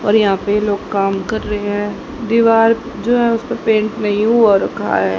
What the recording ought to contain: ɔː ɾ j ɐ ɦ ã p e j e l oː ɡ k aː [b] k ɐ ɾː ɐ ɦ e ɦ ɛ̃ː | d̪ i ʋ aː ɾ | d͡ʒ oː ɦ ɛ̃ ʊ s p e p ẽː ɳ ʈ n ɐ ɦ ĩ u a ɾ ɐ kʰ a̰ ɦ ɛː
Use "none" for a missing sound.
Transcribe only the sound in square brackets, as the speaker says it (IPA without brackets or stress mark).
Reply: m